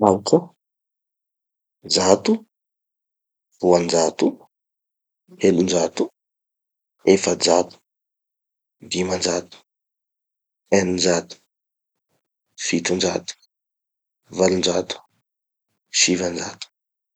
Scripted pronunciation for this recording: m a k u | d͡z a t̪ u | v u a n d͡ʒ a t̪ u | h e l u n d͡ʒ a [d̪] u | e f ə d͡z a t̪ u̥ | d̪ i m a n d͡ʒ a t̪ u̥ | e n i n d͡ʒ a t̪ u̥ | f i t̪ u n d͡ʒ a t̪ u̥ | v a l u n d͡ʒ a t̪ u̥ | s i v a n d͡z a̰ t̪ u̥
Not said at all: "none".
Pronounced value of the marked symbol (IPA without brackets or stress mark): t̪